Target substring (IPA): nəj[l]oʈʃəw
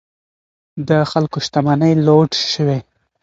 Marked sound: correct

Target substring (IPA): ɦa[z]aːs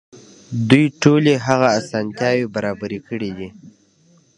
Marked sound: incorrect: ɣ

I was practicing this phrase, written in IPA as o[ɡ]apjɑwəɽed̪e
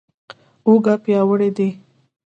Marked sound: correct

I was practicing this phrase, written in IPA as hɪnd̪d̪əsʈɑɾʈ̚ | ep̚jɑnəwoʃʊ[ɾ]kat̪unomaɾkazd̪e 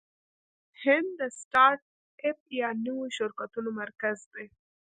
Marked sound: correct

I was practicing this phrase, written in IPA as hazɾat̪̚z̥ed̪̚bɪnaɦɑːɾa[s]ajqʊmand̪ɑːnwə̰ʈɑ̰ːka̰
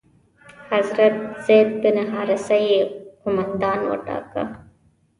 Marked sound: correct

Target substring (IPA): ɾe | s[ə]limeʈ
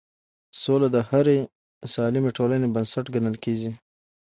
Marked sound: incorrect: ɑ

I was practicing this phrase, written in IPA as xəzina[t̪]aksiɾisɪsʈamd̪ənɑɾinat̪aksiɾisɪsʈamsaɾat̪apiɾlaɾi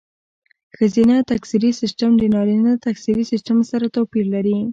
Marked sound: correct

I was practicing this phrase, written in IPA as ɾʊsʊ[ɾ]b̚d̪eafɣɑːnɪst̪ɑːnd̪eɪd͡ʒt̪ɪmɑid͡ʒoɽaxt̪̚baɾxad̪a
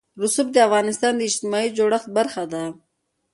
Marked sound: incorrect: none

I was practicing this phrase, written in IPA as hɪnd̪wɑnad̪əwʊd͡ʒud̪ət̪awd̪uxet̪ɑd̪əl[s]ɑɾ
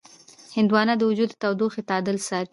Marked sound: correct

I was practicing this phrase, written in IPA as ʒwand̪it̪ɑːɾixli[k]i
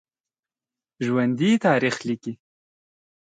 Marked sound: correct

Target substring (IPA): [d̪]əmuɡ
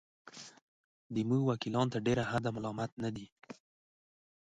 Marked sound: correct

